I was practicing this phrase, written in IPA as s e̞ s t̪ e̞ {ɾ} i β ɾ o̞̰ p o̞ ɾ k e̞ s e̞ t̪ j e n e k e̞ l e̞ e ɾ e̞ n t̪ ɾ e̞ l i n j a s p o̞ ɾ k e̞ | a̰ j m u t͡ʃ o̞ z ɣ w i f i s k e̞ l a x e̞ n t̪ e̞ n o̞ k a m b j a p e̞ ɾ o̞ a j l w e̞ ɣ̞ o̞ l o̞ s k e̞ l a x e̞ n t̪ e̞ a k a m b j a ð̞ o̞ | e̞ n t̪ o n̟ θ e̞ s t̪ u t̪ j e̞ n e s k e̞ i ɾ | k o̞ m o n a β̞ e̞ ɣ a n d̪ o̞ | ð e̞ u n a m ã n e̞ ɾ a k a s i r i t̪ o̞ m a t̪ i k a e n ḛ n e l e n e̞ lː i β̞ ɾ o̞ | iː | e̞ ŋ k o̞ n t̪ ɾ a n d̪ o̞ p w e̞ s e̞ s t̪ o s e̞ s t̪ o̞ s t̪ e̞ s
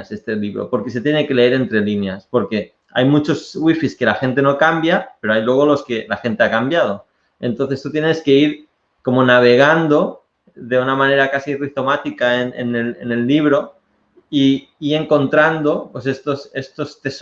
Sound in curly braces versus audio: incorrect: l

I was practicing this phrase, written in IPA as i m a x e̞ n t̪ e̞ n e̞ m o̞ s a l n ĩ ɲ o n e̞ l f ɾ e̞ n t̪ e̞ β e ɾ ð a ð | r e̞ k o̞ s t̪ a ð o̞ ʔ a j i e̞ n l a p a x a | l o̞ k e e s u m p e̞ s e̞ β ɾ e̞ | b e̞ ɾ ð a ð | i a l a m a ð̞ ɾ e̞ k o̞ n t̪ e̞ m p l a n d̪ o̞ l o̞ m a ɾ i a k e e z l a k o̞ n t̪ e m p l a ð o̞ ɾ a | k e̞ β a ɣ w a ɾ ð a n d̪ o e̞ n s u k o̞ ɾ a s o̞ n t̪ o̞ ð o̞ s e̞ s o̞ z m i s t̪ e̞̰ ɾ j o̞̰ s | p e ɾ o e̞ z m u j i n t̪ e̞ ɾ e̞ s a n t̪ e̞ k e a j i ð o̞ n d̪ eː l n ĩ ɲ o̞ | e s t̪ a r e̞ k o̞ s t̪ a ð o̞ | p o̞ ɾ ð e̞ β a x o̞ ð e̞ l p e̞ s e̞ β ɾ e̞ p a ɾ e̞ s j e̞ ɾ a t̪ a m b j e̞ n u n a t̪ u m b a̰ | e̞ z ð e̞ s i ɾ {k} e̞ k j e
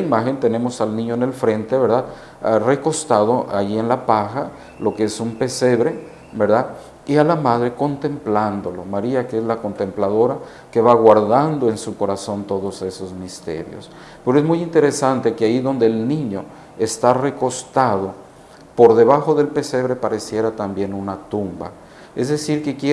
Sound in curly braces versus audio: correct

